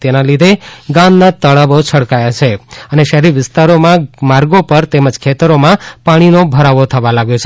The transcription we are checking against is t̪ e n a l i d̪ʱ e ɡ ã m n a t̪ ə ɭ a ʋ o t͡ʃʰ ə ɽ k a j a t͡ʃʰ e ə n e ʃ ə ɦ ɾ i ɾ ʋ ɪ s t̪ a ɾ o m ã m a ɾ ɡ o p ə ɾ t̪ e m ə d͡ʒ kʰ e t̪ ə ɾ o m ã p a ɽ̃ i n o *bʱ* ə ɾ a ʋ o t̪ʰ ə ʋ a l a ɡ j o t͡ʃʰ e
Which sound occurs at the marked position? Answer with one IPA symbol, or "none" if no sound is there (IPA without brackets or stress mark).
bʱ